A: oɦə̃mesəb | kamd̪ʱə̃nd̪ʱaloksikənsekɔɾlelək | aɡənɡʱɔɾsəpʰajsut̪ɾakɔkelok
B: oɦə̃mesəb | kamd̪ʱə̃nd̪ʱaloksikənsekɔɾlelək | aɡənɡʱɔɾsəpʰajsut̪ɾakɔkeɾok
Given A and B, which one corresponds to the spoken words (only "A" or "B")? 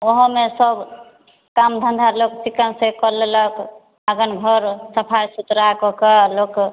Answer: A